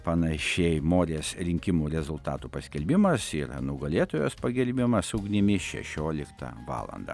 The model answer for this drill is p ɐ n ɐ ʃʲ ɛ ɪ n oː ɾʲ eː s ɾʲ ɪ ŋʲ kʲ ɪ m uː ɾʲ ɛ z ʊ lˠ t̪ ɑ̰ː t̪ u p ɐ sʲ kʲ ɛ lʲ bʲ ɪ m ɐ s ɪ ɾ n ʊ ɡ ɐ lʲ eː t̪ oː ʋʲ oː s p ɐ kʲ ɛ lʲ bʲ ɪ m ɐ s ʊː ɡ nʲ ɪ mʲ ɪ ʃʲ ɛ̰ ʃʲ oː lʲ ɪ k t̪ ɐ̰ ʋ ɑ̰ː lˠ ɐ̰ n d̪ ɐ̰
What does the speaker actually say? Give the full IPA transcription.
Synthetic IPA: p ɐ n ɐ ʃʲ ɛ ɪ m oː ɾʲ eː s ɾʲ ɪ ŋʲ kʲ ɪ m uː ɾʲ ɛ z ʊ lˠ t̪ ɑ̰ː t̪ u p ɐ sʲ kʲ ɛ lʲ bʲ ɪ m ɐ s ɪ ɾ n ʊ ɡ ɐ lʲ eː t̪ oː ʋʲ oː s p ɐ ɡʲ ɛ lʲ bʲ ɪ m ɐ s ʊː ɡ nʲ ɪ mʲ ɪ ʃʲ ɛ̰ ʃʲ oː lʲ ɪ k t̪ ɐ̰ ʋ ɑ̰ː lˠ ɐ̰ n d̪ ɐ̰